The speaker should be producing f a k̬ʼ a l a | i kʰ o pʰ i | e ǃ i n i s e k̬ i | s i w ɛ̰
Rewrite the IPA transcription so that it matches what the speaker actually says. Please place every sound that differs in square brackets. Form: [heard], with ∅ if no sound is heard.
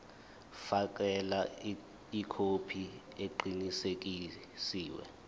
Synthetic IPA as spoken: f a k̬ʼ [ɛ] l a | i kʰ o pʰ i | e ǃ i n i s e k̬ i | s [iː] w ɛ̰